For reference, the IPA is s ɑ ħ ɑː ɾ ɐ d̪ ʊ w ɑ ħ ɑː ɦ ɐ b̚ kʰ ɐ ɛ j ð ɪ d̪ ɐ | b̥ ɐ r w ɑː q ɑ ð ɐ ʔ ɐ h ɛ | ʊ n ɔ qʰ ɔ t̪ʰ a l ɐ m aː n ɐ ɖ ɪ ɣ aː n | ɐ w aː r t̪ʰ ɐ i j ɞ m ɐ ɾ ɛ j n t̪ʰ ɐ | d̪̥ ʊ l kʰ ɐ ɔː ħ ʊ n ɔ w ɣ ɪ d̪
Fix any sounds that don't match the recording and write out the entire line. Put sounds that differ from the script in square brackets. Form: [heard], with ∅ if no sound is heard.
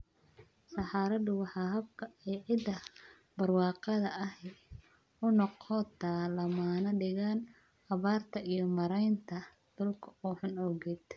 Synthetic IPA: s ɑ ħ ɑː ɾ ɐ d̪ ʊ w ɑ ħ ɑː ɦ ɐ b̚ kʰ ɐ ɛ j [ʕ] ɪ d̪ ɐ | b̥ ɐ r w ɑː q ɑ ð ɐ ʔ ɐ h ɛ | ʊ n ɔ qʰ ɔ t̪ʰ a l ɐ m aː n ɐ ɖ ɪ ɣ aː n | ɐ [β] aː r t̪ʰ ɐ i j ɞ m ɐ ɾ ɛ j n t̪ʰ ɐ | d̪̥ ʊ l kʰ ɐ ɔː ħ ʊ n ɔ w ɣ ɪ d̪